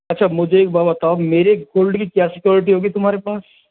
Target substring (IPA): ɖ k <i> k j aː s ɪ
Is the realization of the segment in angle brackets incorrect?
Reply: no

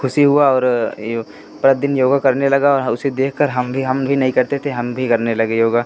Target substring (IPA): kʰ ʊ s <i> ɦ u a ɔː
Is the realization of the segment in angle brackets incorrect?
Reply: no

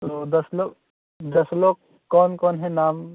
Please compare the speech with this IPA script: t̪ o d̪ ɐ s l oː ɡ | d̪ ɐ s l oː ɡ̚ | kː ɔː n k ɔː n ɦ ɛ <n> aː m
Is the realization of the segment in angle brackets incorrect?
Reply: no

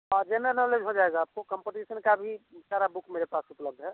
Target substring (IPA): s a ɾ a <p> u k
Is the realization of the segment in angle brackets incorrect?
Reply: yes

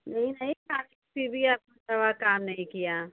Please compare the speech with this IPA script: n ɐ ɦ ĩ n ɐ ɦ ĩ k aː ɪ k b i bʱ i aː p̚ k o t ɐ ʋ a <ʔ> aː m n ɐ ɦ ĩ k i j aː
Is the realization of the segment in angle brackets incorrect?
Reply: yes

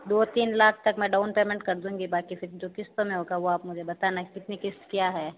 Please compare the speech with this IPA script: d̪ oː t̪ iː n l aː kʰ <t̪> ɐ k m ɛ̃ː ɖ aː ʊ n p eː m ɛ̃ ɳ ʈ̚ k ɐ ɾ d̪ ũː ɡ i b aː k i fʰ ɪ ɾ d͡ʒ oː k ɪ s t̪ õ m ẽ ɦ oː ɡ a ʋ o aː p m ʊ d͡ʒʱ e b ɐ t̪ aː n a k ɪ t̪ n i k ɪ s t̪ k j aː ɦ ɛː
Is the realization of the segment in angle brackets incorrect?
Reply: no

